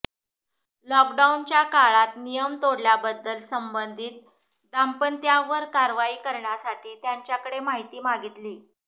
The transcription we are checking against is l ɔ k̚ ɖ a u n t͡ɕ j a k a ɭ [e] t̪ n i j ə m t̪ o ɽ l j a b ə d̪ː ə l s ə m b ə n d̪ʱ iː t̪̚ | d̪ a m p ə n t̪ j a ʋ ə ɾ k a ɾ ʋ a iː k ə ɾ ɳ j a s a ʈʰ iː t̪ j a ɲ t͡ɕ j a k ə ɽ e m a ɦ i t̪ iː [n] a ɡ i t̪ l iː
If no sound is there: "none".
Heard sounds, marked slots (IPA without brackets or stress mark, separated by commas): a, m